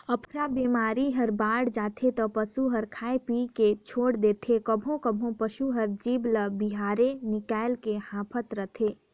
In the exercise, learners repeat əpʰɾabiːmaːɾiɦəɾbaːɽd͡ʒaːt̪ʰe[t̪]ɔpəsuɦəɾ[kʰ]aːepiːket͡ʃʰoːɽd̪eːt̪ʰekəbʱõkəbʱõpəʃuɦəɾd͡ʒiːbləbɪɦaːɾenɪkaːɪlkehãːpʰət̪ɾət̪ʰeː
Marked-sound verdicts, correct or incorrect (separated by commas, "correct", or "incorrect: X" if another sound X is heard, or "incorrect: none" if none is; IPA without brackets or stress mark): correct, correct